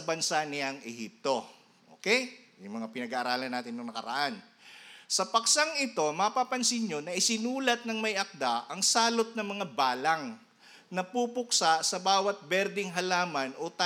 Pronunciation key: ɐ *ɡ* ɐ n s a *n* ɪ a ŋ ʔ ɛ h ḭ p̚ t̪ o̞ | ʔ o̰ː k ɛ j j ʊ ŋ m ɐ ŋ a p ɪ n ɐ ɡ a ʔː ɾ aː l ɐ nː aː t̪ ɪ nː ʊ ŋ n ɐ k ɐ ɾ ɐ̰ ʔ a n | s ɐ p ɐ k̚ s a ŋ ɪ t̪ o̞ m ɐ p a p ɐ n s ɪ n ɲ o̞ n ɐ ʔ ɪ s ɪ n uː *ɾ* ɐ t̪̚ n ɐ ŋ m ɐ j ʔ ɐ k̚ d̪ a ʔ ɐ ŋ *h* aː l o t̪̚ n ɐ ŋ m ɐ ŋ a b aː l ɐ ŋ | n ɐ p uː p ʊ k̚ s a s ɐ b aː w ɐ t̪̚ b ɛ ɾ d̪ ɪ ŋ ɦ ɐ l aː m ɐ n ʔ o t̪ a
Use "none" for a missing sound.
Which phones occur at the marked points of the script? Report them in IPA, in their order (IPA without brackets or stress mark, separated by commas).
b, n, l, s